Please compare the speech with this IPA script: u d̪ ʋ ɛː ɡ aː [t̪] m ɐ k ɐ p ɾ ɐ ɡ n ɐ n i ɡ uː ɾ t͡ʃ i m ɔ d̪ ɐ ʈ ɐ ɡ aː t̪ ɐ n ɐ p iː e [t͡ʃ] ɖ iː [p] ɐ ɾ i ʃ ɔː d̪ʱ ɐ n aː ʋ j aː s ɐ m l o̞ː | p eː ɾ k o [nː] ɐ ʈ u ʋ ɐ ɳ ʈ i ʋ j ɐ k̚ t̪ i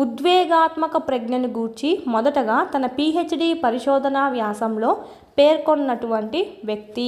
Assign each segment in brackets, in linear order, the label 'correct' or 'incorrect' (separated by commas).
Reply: correct, correct, correct, correct